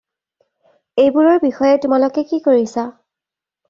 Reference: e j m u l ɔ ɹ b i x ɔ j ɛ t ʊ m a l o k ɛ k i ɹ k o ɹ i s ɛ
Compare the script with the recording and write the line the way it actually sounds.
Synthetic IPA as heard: e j b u ɹ ɔ ɹ b i x ɔ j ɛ t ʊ m a l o k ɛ k i k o ɹ i s a